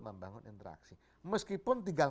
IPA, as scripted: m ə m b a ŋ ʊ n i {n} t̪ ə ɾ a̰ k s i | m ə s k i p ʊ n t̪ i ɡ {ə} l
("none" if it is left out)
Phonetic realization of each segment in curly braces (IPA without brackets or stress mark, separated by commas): n, a